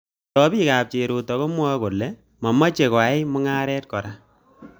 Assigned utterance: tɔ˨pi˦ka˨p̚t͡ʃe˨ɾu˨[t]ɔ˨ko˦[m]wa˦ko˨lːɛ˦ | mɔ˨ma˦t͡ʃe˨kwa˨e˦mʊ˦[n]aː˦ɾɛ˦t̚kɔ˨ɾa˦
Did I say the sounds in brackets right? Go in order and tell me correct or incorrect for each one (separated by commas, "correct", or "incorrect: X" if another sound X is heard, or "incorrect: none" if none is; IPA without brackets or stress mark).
correct, correct, incorrect: ŋ